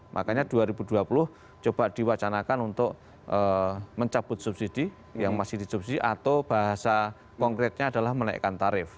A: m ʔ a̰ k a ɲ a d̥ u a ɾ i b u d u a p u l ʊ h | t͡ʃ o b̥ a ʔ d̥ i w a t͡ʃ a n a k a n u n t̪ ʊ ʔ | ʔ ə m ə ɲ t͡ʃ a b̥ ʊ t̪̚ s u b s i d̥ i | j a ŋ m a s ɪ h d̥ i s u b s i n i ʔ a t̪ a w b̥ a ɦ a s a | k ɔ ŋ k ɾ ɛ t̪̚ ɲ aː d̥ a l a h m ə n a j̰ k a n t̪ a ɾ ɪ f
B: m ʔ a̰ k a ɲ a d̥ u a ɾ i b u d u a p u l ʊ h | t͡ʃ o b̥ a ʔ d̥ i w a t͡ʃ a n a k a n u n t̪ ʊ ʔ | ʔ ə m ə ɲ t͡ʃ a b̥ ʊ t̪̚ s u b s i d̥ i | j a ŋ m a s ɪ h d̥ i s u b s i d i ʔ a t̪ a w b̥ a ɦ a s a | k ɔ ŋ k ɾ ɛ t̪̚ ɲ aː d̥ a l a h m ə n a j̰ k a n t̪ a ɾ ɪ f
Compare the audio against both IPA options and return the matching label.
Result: B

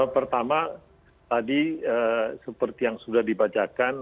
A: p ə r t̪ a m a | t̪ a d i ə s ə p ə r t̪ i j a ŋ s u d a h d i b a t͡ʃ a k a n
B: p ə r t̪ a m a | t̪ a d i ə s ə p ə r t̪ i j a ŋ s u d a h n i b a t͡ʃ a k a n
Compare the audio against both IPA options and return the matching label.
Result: A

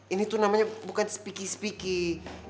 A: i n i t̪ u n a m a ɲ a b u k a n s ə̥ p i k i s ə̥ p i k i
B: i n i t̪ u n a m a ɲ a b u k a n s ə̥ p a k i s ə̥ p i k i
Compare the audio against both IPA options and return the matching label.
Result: A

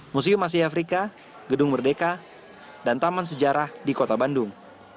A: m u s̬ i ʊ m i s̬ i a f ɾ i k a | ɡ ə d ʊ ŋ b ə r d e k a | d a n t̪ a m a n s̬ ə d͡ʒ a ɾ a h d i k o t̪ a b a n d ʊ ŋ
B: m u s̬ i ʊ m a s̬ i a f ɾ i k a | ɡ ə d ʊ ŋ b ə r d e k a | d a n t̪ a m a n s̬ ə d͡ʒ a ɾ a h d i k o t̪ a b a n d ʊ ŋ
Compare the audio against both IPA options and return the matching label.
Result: B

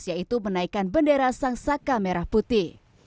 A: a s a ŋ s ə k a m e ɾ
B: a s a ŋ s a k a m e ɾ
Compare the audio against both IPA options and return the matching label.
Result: B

